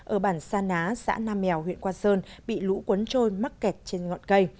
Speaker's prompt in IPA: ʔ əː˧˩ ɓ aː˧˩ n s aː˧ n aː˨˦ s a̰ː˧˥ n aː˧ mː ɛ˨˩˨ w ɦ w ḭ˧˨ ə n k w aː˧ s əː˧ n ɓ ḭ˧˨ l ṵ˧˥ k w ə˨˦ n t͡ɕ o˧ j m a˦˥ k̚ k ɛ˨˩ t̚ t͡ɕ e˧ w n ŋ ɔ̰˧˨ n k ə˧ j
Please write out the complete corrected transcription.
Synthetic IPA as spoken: ʔ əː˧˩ ɓ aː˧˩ n s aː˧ n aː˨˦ s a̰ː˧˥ n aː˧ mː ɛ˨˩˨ w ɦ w ḭ˧˨ ə n k w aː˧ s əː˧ n ɓ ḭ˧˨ l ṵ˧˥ k w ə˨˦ n t͡ɕ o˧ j m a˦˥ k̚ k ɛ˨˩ t̚ t͡ɕ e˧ n ŋ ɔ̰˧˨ n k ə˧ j

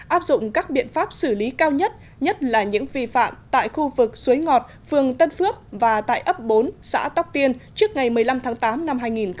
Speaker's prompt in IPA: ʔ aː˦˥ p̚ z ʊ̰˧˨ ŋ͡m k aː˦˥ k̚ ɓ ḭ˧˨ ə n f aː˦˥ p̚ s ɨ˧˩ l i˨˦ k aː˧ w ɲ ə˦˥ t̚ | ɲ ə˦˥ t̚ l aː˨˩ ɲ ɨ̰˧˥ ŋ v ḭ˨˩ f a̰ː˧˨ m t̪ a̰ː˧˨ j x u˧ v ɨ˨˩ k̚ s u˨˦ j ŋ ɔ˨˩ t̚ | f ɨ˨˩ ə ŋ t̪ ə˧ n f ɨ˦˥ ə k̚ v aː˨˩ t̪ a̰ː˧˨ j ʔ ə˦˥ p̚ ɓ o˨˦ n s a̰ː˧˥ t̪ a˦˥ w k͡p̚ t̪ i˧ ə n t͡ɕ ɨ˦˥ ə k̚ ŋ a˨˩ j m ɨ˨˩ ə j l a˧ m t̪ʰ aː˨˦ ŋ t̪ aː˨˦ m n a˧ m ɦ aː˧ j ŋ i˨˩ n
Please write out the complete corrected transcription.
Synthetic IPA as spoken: ʔ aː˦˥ p̚ z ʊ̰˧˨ ŋ͡m k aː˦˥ k̚ ɓ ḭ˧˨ ə n f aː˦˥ p̚ s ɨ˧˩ l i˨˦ k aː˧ w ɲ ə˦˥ t̚ | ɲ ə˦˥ t̚ l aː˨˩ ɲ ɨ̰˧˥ ŋ v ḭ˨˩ f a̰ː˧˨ m t̪ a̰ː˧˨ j x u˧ v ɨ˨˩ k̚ s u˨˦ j ŋ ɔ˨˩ t̚ | f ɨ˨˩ ə ŋ t̪ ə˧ n f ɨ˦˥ ə k̚ v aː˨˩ t̪ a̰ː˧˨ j ʔ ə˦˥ p̚ ɓ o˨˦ n s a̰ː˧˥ t̪ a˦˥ w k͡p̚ t̪ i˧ ə n t͡ɕ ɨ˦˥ ə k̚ ŋ a˨˩ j m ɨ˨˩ ə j l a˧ m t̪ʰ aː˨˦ ŋ t̪ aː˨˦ m n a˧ m ɦ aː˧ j ŋ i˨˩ n

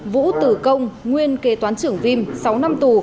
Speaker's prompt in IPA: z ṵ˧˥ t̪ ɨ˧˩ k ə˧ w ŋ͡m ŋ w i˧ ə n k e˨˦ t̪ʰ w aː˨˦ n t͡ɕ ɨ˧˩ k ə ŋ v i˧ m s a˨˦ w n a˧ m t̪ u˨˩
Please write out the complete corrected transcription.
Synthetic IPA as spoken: v ṵ˧˥ t̪ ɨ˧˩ k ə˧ w ŋ͡m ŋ w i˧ ə n k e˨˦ t̪ w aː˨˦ n t͡ɕ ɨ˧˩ ə ŋ v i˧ m s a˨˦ w n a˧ m t̪ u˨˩

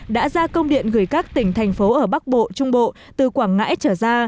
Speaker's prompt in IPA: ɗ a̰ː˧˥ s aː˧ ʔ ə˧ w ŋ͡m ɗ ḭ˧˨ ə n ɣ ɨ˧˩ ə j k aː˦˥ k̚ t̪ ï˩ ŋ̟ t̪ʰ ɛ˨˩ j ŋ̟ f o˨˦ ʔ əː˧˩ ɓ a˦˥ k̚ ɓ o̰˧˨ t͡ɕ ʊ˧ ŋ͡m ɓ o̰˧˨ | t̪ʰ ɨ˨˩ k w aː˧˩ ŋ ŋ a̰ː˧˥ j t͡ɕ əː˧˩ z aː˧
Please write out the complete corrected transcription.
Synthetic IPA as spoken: ɗ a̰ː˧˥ z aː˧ k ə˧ w ŋ͡m ɗ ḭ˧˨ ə n ɣ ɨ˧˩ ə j k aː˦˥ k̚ t̪ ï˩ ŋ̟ t̪ʰ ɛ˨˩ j ŋ̟ f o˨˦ ʔ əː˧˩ ɓ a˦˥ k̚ ɓ o̰˧˨ t͡ɕ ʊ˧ ŋ͡m ɓ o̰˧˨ | t̪ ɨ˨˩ k w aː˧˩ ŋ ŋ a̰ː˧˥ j t͡ɕ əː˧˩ z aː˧

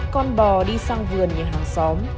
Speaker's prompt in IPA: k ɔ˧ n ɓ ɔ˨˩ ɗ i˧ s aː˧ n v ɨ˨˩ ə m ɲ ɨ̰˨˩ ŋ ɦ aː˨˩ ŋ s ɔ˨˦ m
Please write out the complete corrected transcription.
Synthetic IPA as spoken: k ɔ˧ n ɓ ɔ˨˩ ɗ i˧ s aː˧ ŋ v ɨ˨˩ ə n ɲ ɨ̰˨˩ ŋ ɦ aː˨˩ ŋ s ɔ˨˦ m

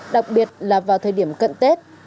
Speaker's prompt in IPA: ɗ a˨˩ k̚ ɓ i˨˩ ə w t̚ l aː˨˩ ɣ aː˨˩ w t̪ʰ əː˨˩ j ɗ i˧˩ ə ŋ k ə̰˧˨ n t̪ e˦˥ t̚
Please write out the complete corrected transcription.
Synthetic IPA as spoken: ɗ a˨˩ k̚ ɓ i˨˩ ə t̚ l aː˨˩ v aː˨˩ w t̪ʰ əː˨˩ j ɗ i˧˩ ə m k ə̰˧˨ n t̪ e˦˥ t̚

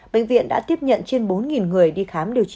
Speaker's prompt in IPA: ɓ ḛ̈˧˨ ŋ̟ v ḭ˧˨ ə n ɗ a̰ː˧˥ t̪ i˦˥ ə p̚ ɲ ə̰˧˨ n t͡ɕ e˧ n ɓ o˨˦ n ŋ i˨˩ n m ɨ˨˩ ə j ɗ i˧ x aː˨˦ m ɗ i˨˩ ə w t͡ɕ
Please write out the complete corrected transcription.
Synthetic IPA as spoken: ɓ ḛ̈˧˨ ŋ̟ v ḭ˧˨ ə n ɗ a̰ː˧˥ t̪ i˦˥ ə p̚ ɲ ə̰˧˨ n t͡ɕ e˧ n ɓ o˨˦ n ŋ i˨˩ n ŋ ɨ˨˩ ə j ɗ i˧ x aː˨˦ m ɗ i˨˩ ə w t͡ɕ

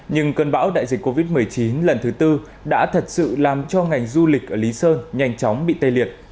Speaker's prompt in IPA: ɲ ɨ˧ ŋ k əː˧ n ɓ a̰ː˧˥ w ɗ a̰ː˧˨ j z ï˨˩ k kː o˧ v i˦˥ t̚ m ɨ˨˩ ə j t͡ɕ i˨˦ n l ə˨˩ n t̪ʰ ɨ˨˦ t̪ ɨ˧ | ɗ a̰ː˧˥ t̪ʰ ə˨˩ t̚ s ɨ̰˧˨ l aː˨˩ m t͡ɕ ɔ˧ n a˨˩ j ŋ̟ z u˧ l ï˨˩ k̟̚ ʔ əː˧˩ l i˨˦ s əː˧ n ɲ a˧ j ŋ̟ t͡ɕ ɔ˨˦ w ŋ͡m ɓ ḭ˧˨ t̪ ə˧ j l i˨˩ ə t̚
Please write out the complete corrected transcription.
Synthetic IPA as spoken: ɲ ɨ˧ ŋ k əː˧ n ɓ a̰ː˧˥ w ɗ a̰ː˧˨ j z ï˨˩ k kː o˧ v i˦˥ t̚ m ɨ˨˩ ə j t͡ɕ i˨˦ n l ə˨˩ n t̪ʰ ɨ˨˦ t̪ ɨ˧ | ɗ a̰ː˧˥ t̪ʰ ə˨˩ t̚ s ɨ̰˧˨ l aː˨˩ m t͡ɕ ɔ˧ ŋ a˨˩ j ŋ̟ z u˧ l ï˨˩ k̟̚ ʔ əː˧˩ l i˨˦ s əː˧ n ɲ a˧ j ŋ̟ t͡ɕ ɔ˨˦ w ŋ͡m ɓ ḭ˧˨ t̪ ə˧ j l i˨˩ ə t̚

